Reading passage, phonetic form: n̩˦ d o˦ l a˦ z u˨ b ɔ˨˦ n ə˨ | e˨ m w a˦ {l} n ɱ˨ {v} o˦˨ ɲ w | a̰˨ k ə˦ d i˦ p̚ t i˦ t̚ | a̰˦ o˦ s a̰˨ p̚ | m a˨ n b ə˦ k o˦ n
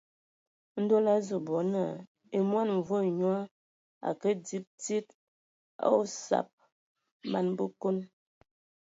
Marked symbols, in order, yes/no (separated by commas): no, yes